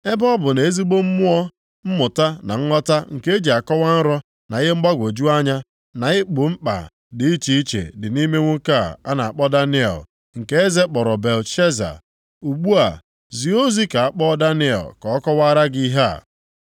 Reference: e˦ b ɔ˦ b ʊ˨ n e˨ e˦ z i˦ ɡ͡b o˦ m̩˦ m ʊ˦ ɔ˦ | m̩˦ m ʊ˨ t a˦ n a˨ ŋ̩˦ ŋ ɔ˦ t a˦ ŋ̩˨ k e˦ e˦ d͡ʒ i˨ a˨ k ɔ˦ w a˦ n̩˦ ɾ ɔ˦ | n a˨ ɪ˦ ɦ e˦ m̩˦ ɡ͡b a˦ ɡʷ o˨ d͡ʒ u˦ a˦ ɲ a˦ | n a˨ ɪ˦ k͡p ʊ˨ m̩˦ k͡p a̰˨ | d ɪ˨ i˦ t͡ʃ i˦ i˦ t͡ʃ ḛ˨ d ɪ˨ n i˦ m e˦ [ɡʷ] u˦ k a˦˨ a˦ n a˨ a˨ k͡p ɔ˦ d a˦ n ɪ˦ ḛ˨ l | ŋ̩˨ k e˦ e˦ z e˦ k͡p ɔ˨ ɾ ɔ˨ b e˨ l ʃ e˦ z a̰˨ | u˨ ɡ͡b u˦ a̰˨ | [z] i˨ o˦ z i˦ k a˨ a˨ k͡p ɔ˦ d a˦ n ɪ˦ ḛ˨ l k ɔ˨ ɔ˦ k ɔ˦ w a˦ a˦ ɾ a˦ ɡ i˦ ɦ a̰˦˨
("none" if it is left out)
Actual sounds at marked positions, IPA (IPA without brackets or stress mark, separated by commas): ŋʷ, z